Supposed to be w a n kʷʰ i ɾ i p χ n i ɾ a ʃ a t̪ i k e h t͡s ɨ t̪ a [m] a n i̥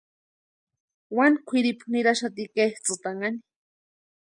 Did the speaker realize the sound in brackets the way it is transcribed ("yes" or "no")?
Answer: no